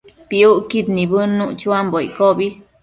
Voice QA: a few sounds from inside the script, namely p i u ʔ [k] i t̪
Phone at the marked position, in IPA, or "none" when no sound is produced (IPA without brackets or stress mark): k